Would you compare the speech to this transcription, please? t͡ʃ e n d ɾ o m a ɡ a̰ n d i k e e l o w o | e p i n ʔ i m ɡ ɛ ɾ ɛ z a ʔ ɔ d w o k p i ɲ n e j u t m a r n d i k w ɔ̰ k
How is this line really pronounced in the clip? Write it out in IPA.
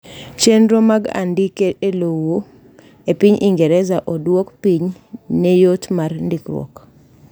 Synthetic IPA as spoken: t͡ʃ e n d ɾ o m a ɡ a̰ n d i k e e l o w o | e p i ɲ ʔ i ŋ ɡ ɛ ɾ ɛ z a ʔ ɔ d w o k p i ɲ n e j o t m a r n d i k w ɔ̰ k